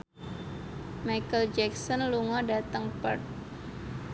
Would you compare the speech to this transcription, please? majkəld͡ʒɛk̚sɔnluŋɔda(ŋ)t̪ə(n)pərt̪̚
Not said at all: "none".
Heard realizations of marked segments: none, ŋ

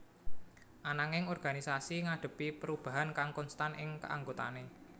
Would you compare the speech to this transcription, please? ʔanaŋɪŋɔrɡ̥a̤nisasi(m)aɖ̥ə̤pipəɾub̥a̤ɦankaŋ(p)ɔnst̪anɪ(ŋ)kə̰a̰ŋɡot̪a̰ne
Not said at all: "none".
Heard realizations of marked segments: ŋ, k, ŋ

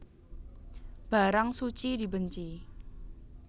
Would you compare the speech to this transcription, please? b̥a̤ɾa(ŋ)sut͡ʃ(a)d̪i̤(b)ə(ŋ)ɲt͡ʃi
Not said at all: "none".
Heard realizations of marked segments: ŋ, i, b, none

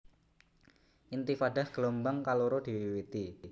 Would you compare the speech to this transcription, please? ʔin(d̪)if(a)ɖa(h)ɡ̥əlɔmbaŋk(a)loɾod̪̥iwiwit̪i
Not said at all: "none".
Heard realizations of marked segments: t̪, a, h, a

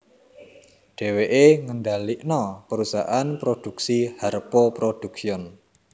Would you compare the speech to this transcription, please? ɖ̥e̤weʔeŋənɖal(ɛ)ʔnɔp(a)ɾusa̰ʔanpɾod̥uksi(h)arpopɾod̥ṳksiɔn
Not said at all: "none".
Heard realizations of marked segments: i, ə, h

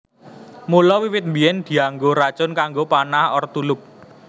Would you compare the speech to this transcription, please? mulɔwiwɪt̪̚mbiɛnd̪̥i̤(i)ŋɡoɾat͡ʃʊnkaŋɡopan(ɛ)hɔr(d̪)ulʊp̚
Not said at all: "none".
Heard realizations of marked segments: a, a, t̪

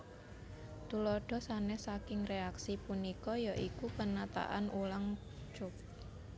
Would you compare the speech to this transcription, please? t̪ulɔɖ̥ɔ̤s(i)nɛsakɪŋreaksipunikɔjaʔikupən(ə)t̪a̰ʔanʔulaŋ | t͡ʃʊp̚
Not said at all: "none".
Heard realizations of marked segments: a, a

